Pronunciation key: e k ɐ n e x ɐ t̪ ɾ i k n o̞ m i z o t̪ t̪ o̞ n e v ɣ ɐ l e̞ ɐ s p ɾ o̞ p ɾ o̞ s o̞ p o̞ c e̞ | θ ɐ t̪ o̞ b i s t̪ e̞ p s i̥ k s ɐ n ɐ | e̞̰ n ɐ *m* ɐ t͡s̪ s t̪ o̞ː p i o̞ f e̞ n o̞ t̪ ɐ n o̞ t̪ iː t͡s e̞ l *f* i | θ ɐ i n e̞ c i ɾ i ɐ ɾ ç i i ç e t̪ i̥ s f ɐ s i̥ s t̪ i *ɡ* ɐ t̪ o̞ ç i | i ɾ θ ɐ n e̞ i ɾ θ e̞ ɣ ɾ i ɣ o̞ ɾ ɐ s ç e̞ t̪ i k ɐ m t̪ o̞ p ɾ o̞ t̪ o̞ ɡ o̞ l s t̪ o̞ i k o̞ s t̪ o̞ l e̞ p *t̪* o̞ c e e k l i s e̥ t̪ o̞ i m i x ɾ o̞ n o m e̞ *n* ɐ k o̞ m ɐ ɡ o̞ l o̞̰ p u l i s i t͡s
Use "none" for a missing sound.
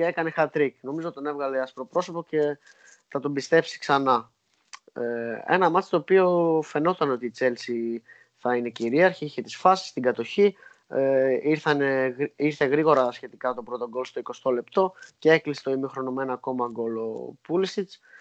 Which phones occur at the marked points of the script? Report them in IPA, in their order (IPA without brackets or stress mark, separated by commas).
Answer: m, s, ɡ, t̪, n